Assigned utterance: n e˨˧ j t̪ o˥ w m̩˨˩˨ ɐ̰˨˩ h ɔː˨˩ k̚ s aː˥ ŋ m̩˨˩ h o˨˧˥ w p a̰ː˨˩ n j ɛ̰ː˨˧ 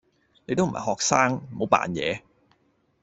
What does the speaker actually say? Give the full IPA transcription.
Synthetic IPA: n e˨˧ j t̪ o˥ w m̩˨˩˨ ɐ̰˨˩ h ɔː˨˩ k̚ s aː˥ ŋ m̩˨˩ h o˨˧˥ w p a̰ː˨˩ n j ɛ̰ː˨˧